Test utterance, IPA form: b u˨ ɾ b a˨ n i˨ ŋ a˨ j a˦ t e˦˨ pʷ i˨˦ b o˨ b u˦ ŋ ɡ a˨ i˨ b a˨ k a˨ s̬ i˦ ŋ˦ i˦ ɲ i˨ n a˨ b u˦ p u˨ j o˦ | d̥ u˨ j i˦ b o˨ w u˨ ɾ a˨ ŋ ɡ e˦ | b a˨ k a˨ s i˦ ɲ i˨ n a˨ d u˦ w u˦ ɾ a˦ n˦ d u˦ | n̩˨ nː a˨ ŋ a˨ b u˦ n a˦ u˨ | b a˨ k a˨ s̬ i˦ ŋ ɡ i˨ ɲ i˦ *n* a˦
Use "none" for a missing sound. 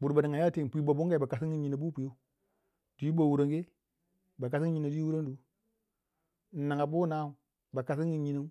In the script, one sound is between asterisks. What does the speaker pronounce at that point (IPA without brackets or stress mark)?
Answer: n